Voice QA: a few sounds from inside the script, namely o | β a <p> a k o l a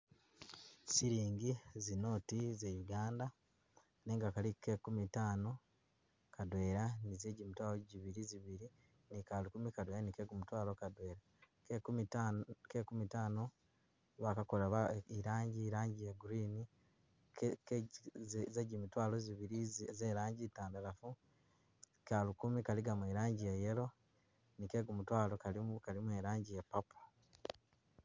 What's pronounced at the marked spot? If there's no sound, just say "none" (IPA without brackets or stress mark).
k